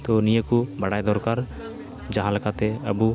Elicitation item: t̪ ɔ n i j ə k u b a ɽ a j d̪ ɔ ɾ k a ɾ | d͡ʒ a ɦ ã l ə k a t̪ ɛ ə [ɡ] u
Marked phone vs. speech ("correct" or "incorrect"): incorrect